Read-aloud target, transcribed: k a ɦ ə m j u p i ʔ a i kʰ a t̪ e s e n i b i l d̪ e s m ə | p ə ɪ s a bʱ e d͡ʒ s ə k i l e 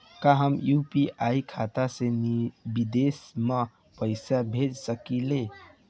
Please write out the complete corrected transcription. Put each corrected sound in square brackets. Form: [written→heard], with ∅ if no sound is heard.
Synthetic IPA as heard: k a ɦ ə m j u p i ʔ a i kʰ a t̪ [e→a] s e n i b i [l→∅] d̪ e s m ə | p ə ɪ s a bʱ e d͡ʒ s ə k i l e